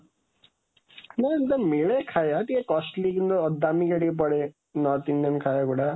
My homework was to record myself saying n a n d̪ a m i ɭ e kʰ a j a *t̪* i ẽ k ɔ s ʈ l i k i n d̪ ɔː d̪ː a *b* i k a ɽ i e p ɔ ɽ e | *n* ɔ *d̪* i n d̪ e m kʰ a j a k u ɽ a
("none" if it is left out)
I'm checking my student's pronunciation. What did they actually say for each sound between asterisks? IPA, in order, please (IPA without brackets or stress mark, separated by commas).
t̪, m, n, t̪